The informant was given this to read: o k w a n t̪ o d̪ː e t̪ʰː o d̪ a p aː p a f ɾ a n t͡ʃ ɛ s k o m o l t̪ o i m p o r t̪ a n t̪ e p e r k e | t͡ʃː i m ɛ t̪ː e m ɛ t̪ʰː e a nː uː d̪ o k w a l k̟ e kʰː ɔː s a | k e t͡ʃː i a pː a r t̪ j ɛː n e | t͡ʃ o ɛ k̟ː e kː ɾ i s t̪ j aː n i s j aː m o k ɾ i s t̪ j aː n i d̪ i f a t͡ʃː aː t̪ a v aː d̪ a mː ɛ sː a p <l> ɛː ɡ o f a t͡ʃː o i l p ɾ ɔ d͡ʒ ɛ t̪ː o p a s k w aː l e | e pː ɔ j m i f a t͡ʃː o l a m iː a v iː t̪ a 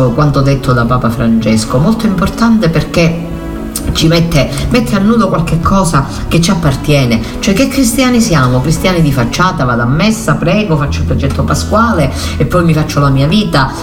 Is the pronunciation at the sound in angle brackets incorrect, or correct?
incorrect